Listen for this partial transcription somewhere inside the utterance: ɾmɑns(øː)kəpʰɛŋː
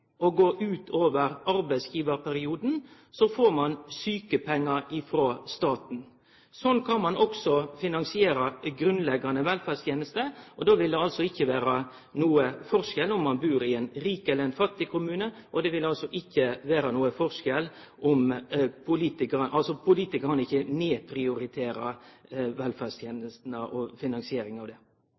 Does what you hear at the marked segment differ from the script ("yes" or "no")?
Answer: yes